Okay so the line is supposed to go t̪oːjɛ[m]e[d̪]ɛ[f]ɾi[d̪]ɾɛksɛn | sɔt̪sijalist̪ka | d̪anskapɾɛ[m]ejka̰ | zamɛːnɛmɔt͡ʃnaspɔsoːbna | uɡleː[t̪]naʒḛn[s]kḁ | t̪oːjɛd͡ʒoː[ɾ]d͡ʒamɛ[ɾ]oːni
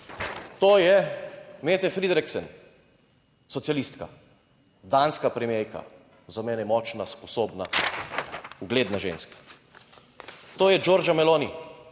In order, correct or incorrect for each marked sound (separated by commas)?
correct, incorrect, correct, correct, correct, incorrect, correct, correct, incorrect